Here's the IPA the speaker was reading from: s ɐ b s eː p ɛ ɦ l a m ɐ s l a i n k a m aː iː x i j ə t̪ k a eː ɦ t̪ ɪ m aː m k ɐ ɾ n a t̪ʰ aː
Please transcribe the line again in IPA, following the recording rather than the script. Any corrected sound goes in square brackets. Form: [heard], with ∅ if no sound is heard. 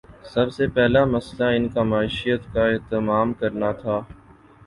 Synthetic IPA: s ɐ b s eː p ɛ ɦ l a m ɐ s l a [ɪ] n k a m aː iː [ʃ] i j ə t̪ k a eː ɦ t̪ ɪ m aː m k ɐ ɾ n a t̪ʰ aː